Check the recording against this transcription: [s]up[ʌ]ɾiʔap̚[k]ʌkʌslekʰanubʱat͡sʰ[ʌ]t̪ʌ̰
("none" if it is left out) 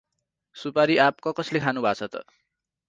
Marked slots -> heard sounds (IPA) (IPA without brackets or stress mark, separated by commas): s, a, k, ʌ